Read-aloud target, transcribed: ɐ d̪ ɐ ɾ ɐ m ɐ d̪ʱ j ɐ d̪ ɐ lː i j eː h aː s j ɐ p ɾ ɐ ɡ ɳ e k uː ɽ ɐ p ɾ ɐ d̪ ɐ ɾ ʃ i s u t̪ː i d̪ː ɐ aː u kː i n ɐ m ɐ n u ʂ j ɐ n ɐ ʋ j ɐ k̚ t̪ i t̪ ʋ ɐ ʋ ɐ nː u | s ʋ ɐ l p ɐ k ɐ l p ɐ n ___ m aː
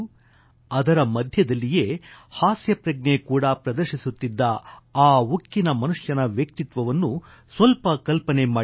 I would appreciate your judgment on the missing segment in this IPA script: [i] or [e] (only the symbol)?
e